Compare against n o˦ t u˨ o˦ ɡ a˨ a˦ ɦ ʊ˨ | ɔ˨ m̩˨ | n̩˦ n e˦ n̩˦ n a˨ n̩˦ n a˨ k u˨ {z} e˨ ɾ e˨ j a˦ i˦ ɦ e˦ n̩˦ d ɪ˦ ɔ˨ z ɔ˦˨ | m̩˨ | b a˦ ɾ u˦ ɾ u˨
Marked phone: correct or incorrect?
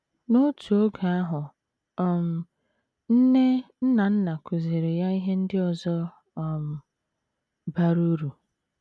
correct